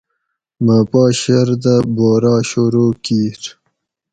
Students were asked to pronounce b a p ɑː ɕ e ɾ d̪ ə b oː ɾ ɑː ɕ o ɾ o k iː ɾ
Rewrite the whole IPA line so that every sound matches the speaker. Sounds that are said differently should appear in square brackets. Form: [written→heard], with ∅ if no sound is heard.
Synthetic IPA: [b→m] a p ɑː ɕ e ɾ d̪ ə b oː ɾ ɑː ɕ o ɾ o k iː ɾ